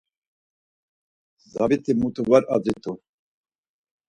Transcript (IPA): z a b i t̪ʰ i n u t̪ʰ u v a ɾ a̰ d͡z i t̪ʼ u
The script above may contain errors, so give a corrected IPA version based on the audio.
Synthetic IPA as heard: z a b i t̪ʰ i m u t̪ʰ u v a ɾ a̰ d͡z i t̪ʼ u